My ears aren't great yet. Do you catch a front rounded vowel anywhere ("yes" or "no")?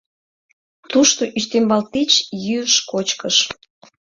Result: yes